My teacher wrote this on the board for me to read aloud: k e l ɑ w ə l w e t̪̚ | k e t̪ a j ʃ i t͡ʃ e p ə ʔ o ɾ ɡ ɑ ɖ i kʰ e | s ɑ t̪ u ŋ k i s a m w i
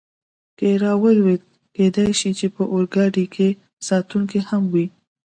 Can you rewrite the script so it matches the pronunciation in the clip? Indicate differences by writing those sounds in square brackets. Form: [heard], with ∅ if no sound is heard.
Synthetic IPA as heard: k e [ɾ] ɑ w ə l w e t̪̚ | k e [d̪] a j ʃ i t͡ʃ e p ə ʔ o ɾ ɡ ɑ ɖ i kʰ e | s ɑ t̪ u ŋ k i [h] a m w i